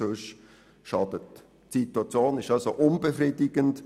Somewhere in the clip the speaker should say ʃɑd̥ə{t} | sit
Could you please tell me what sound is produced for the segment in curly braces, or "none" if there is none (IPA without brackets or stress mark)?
t